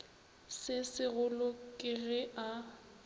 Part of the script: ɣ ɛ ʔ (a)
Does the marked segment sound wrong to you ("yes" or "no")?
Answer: no